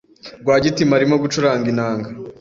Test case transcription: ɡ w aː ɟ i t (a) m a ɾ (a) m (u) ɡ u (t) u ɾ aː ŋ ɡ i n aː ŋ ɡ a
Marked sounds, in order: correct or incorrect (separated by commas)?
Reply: incorrect, incorrect, incorrect, incorrect